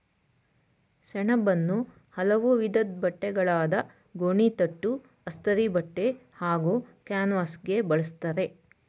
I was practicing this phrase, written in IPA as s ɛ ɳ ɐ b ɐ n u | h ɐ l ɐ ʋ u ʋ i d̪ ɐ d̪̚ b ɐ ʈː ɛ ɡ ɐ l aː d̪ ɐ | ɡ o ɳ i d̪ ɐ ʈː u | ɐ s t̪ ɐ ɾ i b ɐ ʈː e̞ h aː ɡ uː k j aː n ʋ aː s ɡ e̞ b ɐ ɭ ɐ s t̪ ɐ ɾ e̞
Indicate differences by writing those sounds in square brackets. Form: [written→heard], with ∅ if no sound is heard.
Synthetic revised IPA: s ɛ ɳ ɐ b ɐ [n→nː] u | h ɐ l ɐ ʋ u ʋ i d̪ ɐ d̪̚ b ɐ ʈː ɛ ɡ ɐ [l→ɭ] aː d̪ ɐ | ɡ o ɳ i [d̪→t̪] ɐ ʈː u | ɐ s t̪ ɐ ɾ i b ɐ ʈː e̞ h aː ɡ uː k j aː n ʋ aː s ɡ e̞ b ɐ ɭ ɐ s t̪ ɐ ɾ e̞